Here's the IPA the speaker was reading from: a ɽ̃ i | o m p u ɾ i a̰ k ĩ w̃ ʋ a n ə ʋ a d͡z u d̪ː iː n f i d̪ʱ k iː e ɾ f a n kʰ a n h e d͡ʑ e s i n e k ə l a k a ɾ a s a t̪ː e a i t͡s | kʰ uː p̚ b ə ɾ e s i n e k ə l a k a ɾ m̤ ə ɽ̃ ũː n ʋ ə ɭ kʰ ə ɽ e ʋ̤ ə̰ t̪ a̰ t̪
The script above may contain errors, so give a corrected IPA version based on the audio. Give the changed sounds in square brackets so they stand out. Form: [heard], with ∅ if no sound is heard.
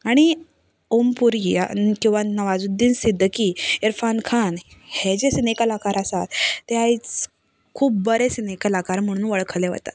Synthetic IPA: a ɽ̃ i | o m p u ɾ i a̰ k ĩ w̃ ʋ a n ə ʋ a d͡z u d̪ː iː n [s] i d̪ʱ k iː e ɾ f a n kʰ a n h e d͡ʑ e s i n e k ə l a k a ɾ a s a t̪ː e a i t͡s | kʰ uː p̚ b ə ɾ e s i n e k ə l a k a ɾ m̤ ə ɽ̃ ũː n ʋ ə ɭ kʰ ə [l] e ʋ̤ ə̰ t̪ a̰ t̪